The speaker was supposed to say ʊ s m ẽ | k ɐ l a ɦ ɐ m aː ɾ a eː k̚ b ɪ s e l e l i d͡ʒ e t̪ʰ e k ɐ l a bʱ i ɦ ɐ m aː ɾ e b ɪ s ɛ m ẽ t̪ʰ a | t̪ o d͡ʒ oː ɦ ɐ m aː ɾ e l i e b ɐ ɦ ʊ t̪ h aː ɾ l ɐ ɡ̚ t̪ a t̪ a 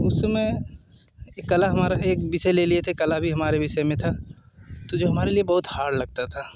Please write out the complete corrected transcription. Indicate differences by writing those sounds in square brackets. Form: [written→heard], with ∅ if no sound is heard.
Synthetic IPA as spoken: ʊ s m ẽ | k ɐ l a ɦ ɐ m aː ɾ a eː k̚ b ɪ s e l e l i [d͡ʒ→∅] e t̪ʰ e k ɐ l a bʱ i ɦ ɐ m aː ɾ e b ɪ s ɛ m ẽ t̪ʰ a | t̪ o d͡ʒ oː ɦ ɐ m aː ɾ e l i e b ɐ ɦ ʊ t̪ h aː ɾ l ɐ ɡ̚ t̪ a [t̪→t̪ʰ] a